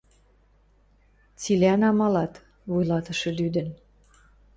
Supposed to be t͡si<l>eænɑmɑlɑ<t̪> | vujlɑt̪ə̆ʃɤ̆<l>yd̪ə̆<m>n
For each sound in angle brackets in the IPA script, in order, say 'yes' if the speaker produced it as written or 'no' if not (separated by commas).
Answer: yes, yes, yes, no